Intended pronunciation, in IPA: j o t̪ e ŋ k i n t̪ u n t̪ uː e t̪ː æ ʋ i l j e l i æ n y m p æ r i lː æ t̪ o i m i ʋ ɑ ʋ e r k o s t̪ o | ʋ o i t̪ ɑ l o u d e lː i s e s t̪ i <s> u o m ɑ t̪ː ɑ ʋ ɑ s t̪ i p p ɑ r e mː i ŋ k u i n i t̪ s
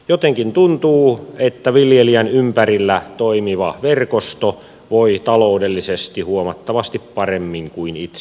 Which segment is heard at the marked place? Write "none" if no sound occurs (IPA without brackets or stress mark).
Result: h